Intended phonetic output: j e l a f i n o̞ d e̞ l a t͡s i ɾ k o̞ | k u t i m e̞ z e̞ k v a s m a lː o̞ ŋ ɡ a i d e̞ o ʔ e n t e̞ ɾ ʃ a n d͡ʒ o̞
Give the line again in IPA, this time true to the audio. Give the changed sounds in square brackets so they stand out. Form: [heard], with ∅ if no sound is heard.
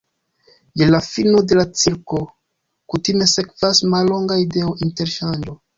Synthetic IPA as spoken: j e l a f i n o̞ d e̞ l a t͡s i ɾ k o̞ | k u t i m e̞ [s] e̞ k v a s m a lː o̞ ŋ ɡ a i d e̞ o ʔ [i] n t e̞ ɾ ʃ a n d͡ʒ o̞